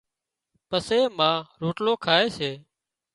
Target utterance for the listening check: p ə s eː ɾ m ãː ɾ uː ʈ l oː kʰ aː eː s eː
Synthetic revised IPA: p ə s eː m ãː ɾ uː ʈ l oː kʰ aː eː s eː